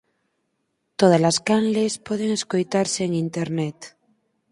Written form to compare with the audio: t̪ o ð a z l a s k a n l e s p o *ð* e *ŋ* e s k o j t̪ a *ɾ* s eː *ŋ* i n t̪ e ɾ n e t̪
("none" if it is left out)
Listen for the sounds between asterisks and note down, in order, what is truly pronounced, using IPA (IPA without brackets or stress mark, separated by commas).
ð, ŋ, ɾ, ŋ